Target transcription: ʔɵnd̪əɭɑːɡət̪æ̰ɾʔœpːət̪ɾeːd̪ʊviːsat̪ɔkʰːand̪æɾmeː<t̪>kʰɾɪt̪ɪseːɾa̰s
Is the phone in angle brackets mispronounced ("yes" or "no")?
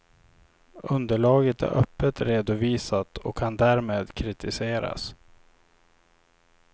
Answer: yes